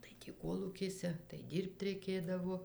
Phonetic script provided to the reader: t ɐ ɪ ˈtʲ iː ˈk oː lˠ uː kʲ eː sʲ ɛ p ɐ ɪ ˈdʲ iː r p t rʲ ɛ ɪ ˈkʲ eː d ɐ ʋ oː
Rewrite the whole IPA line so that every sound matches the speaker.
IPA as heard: t ɐ ɪ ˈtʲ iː ˈk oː lˠ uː kʲ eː sʲ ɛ t ɐ ɪ ˈdʲ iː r p t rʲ ɛ ɪ ˈkʲ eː d ɐ ʋ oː